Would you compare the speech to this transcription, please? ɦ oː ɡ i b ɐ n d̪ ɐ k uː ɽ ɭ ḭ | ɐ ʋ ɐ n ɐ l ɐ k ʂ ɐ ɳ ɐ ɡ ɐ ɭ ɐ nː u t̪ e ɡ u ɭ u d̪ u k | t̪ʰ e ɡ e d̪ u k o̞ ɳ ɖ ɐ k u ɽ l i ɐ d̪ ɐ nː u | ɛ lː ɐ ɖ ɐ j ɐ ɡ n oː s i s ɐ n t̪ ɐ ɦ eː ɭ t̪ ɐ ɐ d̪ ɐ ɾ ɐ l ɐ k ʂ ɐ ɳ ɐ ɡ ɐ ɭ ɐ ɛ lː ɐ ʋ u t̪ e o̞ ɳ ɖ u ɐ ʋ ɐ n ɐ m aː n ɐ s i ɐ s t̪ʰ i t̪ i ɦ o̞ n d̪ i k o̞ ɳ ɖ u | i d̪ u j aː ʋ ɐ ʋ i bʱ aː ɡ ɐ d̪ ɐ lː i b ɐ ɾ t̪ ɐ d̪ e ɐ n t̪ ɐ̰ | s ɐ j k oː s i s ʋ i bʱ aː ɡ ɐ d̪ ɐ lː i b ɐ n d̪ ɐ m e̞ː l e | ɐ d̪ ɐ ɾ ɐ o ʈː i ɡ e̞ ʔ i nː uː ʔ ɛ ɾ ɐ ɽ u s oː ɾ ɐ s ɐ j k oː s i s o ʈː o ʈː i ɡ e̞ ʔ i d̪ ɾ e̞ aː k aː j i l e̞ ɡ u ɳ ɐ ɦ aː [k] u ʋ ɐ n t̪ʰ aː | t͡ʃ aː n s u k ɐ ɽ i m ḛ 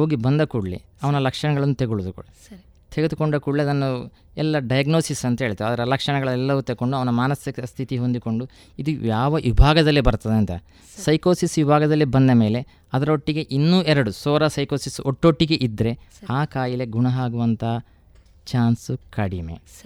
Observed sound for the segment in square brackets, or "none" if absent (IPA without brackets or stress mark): ɡ